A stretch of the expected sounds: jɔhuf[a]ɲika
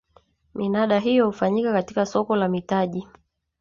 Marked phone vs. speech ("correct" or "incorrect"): correct